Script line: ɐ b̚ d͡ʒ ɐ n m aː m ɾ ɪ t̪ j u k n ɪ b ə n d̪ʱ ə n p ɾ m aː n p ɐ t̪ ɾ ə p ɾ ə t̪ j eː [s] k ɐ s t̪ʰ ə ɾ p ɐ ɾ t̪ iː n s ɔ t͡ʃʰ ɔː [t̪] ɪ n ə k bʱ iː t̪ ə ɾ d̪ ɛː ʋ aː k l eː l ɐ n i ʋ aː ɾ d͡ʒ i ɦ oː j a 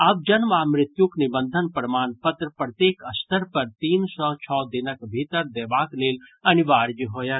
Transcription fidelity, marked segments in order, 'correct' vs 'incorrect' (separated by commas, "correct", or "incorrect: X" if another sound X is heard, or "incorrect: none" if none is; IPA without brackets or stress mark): incorrect: none, incorrect: d̪